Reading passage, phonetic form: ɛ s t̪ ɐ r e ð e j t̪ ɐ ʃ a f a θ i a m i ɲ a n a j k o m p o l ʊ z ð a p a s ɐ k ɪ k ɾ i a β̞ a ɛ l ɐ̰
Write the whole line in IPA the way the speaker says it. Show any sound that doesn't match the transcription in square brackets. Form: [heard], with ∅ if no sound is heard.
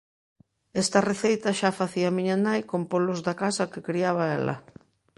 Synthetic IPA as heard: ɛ s t̪ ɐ r e [θ] e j t̪ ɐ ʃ a f a θ i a m i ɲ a n a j k o m p o l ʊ z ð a [k] a s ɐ k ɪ k ɾ i a β̞ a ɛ l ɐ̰